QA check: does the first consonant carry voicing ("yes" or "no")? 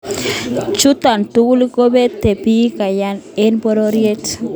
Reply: no